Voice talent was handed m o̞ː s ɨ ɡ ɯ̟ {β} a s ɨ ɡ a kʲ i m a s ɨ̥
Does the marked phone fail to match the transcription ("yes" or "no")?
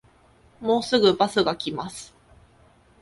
yes